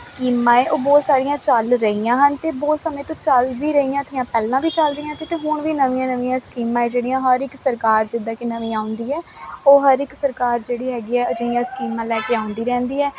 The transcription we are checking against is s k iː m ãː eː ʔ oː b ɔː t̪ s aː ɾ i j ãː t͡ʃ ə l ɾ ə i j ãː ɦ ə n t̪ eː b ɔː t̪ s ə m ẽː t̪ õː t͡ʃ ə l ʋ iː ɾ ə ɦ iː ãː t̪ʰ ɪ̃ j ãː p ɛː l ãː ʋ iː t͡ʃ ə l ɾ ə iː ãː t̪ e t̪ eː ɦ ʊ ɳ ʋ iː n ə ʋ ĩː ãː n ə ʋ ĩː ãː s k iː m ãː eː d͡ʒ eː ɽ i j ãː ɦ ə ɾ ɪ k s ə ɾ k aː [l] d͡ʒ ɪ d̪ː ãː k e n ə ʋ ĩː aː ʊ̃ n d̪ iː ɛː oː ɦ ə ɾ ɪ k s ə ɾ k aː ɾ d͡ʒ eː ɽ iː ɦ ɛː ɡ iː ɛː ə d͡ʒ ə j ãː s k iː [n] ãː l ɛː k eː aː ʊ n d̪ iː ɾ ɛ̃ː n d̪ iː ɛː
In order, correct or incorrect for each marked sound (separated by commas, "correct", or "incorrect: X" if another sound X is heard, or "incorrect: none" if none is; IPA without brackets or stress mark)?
incorrect: ɾ, incorrect: m